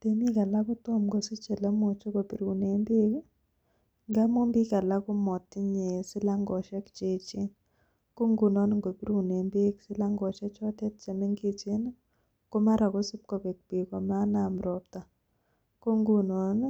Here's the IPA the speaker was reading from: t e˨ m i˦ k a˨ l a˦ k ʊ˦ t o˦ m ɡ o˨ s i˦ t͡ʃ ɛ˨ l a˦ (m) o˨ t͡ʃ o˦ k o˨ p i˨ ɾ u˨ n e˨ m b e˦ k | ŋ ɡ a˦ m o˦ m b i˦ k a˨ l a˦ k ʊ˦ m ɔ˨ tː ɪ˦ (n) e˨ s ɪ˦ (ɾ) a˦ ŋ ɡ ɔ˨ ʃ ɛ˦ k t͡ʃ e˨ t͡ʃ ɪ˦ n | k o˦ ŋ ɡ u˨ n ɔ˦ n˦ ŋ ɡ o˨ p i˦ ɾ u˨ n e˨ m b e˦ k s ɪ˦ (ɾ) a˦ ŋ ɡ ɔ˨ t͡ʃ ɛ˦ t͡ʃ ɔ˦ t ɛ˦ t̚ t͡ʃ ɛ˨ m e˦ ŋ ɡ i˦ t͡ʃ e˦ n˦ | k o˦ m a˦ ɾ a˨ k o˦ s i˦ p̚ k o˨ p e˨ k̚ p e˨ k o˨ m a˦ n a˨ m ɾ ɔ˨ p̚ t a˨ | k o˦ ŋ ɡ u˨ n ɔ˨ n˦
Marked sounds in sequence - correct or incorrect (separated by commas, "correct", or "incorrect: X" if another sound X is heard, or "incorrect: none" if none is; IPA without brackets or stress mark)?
correct, incorrect: ɲ, incorrect: l, incorrect: l